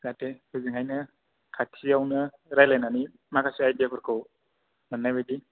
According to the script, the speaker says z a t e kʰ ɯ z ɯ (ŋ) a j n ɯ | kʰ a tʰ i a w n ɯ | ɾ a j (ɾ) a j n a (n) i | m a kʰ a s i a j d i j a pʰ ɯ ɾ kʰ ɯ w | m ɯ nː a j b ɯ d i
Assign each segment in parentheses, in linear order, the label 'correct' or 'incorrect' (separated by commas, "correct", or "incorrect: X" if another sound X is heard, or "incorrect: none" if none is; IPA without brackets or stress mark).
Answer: correct, incorrect: l, correct